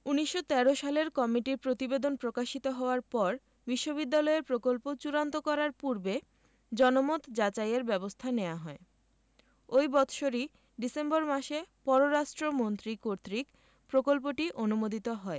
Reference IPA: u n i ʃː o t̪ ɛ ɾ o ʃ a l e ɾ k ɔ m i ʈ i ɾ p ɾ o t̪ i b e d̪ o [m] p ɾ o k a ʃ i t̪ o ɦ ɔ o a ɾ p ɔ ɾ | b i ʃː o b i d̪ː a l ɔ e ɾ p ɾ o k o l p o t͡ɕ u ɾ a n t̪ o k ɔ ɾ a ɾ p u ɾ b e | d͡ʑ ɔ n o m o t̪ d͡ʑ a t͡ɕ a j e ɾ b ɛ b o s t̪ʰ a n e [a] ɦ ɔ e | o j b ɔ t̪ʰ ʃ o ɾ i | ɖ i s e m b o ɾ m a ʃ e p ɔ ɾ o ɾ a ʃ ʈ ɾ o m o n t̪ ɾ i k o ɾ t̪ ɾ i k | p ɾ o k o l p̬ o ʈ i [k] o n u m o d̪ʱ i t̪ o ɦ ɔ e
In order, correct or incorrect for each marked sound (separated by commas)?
incorrect, correct, incorrect